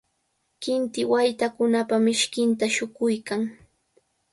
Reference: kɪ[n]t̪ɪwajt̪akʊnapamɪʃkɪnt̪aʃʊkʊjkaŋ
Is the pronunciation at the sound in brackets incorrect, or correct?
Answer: correct